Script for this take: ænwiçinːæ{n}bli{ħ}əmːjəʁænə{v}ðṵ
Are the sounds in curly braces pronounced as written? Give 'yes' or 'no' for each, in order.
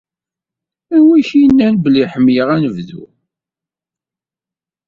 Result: yes, yes, yes

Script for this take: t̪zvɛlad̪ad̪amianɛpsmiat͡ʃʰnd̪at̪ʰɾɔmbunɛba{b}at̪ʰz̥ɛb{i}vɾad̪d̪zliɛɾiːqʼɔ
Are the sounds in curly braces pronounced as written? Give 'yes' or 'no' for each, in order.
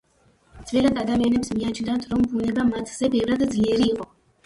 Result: no, no

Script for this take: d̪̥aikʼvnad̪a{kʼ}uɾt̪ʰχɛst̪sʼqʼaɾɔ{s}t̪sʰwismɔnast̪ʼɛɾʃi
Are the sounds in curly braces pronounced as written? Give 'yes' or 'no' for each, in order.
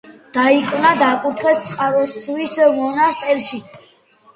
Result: yes, yes

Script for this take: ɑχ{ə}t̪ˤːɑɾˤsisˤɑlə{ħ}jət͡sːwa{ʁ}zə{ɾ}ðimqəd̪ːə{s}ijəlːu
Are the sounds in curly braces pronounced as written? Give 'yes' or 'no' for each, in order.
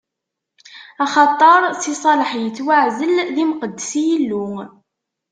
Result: no, yes, no, no, yes

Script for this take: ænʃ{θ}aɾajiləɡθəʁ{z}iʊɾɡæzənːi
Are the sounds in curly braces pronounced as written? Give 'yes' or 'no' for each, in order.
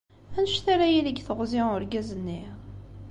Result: yes, yes

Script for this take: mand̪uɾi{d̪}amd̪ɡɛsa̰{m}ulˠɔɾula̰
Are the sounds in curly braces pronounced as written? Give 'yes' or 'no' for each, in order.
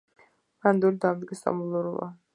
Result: yes, yes

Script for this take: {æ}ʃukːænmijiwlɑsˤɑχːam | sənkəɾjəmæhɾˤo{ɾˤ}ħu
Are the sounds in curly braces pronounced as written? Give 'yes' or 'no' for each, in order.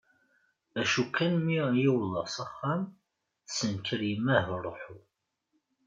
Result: yes, no

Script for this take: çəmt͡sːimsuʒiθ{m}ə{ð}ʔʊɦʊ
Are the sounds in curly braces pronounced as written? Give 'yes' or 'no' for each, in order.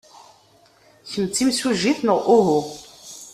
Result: no, no

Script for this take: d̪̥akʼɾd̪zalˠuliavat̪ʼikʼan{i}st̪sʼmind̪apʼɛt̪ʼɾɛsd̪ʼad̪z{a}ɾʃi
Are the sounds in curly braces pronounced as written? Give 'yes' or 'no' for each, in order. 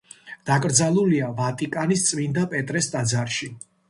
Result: yes, yes

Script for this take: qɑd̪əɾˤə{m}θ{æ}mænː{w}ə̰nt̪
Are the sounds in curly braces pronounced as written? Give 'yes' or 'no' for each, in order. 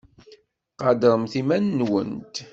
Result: yes, no, yes

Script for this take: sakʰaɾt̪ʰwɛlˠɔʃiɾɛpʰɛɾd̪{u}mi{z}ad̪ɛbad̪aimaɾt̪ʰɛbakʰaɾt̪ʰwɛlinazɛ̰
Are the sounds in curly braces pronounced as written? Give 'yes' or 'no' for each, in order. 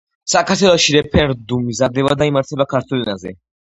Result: yes, yes

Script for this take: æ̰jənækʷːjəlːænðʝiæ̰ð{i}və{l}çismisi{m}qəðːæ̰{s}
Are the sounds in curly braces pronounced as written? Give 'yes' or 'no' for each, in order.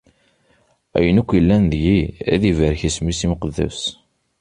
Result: yes, no, yes, yes

